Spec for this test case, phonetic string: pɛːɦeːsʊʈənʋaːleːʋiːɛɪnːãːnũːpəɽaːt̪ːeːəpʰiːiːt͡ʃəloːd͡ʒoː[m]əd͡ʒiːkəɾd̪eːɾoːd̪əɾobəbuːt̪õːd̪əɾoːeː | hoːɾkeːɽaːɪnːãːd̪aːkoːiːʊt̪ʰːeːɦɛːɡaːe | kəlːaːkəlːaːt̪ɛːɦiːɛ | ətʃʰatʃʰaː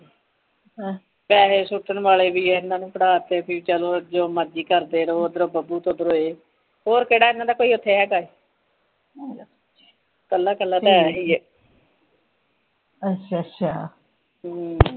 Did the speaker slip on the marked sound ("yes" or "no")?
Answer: no